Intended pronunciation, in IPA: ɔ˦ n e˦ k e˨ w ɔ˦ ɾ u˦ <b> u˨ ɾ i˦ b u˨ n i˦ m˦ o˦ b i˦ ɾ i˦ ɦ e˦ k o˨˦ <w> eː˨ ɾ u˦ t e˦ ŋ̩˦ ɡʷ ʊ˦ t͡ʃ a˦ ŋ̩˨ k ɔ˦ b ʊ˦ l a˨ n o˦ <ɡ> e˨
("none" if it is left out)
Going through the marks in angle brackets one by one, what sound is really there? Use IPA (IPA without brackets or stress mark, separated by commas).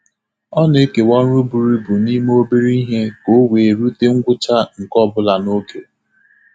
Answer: b, w, k